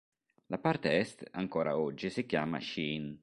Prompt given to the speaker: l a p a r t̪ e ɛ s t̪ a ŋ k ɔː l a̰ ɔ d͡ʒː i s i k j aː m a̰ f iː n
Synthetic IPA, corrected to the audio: l a p a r t̪ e ɛ s t̪ a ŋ k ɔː ɾ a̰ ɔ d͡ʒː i s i k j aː m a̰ ʃ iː n